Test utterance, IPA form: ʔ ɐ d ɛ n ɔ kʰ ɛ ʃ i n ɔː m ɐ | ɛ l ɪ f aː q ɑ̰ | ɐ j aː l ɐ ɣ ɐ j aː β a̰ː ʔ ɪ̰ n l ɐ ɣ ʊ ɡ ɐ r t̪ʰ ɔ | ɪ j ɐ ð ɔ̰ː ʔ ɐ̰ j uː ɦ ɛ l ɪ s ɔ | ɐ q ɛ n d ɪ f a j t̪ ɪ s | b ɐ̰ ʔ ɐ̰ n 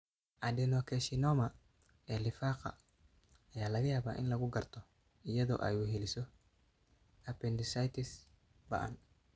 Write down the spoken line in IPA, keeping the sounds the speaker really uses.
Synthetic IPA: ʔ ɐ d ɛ n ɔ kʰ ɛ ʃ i n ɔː m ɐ | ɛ l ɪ f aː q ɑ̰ | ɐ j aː l ɐ ɣ ɐ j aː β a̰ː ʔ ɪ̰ n l ɐ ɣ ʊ ɡ ɐ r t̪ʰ ɔ | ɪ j ɐ ð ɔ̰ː ʔ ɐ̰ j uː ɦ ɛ l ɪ s ɔ | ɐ p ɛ n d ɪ s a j t̪ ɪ s | b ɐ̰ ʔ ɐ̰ n